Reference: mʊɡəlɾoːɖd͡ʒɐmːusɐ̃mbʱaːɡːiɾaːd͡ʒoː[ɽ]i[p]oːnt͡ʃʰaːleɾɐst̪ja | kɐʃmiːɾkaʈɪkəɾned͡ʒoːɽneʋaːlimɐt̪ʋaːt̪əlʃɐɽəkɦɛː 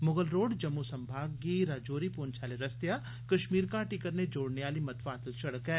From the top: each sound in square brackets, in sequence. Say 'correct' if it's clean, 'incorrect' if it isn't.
incorrect: ɾ, correct

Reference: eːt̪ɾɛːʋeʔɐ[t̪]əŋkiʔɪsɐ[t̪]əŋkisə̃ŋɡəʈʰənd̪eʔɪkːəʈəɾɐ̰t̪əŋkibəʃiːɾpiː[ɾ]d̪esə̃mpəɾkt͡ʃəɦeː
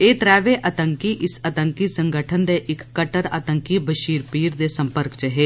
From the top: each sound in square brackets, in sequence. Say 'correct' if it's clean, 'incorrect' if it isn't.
correct, correct, correct

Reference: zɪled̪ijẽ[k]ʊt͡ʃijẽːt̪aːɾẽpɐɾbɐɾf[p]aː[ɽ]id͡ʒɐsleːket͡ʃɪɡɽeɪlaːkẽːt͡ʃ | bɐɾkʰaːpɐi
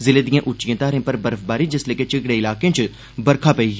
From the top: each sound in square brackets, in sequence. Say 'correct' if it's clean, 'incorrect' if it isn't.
incorrect: ʔ, incorrect: b, incorrect: ɾ

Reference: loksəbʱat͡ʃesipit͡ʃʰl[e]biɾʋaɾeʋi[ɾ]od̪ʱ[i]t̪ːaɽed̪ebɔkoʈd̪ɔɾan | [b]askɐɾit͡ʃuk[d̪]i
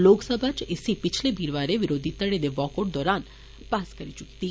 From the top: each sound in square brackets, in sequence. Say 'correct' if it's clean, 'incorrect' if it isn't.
correct, correct, correct, incorrect: p, incorrect: t̪

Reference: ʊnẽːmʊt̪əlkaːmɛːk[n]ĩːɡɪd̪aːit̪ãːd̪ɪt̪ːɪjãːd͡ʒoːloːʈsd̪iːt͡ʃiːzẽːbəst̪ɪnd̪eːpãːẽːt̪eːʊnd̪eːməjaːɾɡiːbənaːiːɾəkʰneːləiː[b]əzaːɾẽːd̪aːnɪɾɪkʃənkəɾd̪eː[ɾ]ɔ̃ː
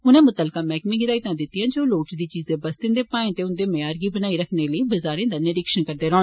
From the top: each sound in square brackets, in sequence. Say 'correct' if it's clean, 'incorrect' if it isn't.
incorrect: m, correct, correct

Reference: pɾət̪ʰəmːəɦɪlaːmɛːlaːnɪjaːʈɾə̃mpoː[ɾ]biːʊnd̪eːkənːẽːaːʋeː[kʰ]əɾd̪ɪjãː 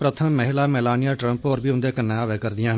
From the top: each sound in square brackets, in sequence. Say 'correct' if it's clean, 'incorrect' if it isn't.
correct, incorrect: k

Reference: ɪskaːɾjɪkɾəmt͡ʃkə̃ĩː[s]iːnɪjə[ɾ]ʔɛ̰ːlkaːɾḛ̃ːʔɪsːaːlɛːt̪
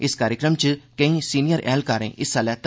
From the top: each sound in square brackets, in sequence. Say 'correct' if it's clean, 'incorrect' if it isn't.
correct, correct

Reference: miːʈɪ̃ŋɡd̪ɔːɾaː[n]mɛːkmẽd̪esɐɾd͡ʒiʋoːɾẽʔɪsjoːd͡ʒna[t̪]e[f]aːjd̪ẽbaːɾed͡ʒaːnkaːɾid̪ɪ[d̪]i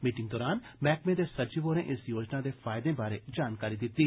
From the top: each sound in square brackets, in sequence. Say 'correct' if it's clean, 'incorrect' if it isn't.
correct, incorrect: d̪, correct, incorrect: t̪

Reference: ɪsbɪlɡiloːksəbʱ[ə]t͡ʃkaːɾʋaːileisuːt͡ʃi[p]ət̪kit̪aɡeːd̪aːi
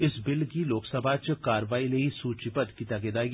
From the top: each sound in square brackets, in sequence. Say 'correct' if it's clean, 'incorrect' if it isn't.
incorrect: a, correct

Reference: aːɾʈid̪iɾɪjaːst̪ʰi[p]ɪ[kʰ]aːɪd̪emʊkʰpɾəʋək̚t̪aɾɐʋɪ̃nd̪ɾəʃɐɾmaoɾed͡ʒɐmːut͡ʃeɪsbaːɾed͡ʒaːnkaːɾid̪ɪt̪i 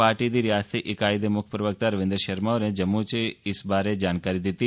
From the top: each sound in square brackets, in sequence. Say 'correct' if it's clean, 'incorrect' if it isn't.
incorrect: ʔ, incorrect: k

